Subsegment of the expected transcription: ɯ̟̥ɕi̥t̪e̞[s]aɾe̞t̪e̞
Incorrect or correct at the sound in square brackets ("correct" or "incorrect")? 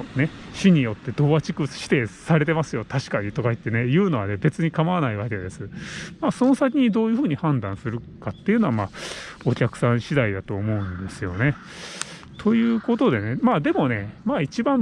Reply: correct